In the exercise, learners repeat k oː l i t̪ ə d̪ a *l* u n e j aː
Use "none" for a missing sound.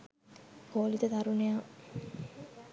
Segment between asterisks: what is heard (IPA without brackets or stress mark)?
ɾ